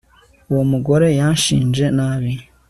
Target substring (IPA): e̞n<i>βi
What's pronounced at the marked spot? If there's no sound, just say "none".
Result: a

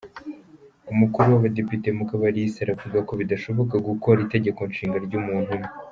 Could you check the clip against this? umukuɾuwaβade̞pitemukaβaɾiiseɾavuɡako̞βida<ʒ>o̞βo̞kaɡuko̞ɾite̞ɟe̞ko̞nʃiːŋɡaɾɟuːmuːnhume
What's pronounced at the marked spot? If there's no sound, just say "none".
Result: ʃ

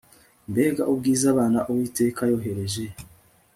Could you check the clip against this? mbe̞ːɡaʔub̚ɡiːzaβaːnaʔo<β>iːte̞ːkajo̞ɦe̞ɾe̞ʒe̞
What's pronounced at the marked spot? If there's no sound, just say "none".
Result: w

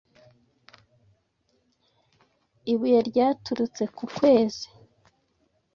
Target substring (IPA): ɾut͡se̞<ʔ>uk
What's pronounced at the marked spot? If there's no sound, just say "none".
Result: k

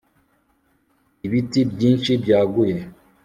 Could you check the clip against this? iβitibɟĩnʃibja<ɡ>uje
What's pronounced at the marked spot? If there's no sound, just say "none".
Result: ɡ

